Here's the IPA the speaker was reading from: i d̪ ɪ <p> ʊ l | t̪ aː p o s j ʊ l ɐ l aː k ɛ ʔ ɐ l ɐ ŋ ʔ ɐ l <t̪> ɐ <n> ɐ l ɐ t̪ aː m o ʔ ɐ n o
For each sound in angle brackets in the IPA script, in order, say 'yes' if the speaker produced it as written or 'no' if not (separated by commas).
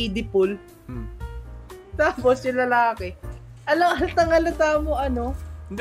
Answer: yes, yes, no